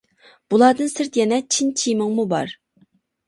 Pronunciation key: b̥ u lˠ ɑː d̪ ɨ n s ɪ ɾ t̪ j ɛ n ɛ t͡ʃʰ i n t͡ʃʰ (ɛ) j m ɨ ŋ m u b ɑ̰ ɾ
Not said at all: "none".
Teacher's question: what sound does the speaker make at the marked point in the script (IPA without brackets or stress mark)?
i